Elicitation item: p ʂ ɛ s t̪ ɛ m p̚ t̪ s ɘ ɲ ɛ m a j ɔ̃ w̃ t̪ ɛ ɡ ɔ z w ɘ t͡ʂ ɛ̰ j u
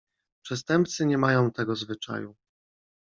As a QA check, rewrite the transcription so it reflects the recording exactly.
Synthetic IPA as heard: p ʂ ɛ s t̪ ɛ m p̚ t̪ s ɘ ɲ ɛ m a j ɔ̃ w̃ t̪ ɛ ɡ ɔ z v ɘ t͡ʂ a̰ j u